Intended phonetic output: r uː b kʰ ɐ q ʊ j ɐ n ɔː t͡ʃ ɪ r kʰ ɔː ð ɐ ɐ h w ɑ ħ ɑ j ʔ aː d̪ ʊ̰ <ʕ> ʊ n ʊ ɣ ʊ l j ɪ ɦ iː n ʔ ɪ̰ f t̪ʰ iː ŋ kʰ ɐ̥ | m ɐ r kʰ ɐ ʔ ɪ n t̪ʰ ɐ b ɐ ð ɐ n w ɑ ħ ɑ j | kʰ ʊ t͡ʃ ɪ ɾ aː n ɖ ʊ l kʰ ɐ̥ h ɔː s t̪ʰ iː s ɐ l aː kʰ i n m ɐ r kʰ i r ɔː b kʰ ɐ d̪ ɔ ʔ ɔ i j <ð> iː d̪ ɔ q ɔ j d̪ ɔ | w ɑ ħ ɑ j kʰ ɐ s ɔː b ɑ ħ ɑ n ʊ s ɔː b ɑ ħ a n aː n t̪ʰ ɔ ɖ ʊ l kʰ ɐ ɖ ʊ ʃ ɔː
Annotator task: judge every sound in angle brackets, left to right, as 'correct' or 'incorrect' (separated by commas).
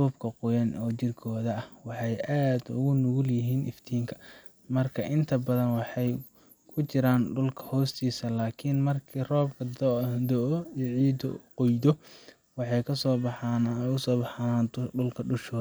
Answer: incorrect, incorrect